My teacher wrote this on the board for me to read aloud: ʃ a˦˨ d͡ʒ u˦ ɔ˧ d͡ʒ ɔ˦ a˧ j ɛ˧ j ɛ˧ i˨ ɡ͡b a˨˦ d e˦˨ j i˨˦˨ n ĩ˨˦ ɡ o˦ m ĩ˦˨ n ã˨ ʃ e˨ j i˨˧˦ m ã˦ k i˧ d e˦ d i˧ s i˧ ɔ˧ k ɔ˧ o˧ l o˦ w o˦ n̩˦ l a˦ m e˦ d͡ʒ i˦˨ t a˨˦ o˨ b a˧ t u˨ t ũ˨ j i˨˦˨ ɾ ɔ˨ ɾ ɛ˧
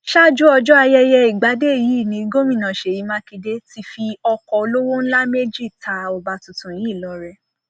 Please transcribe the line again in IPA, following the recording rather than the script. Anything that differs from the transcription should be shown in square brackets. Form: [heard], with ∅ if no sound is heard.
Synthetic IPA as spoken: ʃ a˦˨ d͡ʒ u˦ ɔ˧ d͡ʒ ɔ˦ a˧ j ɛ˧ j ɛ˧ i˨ ɡ͡b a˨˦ d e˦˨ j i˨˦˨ n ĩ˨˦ ɡ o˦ m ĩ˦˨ n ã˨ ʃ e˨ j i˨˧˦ m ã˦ k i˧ d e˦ [t] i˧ [f] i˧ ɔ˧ k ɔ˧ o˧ l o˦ w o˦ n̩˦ l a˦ m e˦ d͡ʒ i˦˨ t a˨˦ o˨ b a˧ t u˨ t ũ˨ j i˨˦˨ [l] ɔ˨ ɾ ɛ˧